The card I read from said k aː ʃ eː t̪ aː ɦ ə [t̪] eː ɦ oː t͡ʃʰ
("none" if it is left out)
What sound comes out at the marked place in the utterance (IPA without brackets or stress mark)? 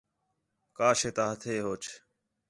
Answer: t̪ʰ